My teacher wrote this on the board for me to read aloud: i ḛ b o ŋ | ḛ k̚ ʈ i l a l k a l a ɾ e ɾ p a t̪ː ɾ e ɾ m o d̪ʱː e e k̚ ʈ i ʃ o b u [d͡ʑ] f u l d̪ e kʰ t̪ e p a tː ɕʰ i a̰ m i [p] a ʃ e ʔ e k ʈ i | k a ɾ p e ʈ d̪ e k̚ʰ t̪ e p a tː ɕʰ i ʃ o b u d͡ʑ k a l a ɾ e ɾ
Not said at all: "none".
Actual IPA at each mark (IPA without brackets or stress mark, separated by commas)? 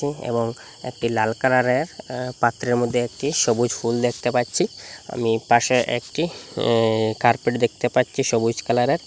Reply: d͡ʑ, p